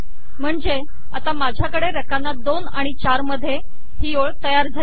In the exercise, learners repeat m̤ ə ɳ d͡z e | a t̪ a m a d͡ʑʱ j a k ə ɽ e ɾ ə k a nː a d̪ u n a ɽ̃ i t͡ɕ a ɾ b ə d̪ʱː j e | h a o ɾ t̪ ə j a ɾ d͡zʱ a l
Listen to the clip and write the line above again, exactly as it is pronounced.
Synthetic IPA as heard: m̤ ə ɳ d͡z e | a t̪ a m a d͡ʑʱ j a k ə ɽ e ɾ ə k a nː a d̪ o n a ɽ̃ i t͡ɕ a ɾ m ə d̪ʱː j e | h i o ɭ t̪ ə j a ɾ d͡zʱ a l